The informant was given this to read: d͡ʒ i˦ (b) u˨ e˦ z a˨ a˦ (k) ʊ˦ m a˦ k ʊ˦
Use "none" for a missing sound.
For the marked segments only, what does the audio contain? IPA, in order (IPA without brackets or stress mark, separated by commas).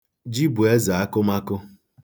b, k